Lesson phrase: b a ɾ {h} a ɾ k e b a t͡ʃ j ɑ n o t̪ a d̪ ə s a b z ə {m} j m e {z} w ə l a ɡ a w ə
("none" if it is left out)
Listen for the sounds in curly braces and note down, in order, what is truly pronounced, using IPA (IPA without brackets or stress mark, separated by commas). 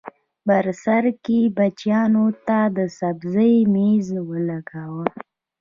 s, none, z